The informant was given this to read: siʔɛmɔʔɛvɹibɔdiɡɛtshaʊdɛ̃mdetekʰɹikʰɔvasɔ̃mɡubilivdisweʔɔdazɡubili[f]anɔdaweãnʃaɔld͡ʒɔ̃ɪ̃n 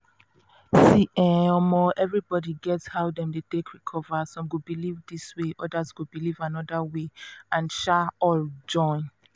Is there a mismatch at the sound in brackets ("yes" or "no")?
yes